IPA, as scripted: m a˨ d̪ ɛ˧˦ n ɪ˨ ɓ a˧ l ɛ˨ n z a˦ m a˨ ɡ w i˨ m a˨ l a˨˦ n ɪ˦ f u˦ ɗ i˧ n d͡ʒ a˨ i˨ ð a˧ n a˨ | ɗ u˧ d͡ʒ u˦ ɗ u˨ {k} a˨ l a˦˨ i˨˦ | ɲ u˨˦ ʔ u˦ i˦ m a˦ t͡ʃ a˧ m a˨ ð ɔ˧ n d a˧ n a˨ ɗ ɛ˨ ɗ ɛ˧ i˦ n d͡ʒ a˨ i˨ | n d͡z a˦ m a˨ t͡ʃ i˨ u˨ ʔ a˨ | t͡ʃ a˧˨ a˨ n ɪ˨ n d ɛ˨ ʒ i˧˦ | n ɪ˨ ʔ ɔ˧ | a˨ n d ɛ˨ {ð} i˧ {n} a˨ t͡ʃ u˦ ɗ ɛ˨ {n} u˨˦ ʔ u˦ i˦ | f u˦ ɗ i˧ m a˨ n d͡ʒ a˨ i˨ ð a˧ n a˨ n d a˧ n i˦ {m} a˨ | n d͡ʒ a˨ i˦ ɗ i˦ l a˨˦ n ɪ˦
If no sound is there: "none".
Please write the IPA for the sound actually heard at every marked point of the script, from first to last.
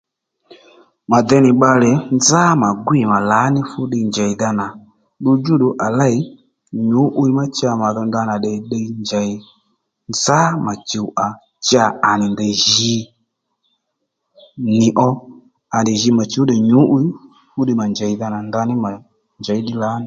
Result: ʔ, ʒ, m, ɲ, m

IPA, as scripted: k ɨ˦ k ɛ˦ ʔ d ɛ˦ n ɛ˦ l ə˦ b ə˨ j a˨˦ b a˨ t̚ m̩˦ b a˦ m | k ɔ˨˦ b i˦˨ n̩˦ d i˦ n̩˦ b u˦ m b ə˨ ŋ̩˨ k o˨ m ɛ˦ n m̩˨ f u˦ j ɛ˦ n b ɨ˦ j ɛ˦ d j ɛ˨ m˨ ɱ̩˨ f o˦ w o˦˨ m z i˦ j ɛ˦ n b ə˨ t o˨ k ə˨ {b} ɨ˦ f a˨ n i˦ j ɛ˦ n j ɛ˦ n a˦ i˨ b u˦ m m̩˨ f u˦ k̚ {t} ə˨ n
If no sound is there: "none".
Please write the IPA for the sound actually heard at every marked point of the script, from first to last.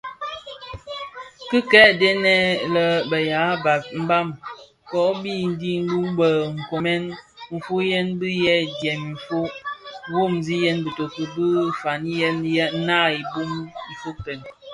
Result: b, t

